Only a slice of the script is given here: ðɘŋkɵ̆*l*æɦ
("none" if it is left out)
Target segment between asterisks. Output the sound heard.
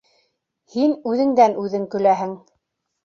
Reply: l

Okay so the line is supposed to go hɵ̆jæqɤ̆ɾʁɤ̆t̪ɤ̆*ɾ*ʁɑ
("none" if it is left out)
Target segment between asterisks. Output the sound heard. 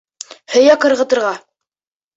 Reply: ɾ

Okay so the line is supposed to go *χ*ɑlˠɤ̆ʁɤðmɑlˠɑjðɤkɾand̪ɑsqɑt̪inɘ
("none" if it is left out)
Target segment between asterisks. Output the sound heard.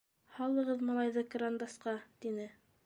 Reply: h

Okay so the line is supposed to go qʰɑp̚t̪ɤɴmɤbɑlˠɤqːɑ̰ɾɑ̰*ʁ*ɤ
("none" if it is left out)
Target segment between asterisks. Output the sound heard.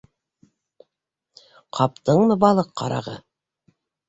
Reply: ʁ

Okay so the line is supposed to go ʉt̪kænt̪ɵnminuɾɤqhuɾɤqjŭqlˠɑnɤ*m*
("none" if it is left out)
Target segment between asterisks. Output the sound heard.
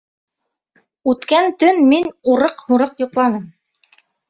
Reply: m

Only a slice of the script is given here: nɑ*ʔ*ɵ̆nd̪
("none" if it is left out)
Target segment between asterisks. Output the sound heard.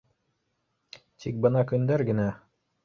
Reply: k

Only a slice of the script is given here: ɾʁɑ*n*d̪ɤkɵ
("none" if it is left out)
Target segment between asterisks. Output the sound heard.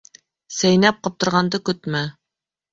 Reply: n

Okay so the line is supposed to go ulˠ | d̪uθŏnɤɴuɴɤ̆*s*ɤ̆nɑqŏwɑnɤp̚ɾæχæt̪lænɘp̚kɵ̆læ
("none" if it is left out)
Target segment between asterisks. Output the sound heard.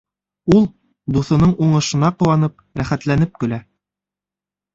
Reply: ʃ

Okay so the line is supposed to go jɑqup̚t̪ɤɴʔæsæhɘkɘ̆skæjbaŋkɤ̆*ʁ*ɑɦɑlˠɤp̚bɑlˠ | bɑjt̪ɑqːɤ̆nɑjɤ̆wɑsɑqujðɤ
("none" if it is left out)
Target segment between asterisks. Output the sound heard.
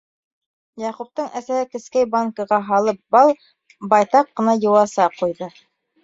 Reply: ʁ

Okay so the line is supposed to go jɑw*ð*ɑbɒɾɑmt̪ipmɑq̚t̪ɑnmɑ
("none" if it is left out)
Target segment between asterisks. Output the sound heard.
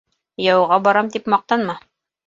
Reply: ʁ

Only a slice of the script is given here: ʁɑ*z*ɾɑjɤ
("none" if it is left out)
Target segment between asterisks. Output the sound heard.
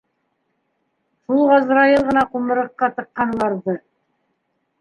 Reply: z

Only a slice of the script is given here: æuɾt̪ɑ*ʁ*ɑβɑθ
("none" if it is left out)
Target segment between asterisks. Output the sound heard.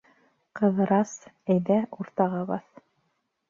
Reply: ʁ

